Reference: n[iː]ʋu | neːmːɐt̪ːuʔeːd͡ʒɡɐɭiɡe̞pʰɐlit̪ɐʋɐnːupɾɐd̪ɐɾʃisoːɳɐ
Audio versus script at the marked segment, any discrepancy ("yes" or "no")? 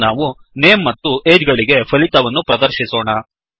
yes